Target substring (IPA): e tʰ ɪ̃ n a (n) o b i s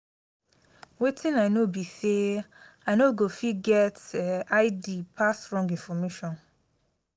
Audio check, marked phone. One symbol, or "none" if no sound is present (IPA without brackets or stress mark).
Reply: n